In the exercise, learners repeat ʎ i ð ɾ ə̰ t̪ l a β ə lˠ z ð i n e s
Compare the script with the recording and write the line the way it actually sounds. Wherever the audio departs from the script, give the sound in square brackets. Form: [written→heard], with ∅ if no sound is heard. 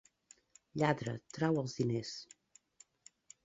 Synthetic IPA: ʎ [i→a] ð ɾ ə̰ t̪ [l→ɾ] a [β→w] ə lˠ z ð i n e s